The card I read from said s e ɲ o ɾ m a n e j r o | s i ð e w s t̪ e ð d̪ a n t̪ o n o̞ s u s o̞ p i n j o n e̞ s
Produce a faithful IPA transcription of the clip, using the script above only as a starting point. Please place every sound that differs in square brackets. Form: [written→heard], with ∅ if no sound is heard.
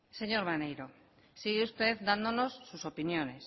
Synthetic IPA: s e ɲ o ɾ m a n e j [r→ɾ] o | s i [ð→ɣ] e [w→u] s t̪ e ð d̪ a n [t̪→d̪] o n o̞ [s→sː] u s o̞ p i n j o n e̞ s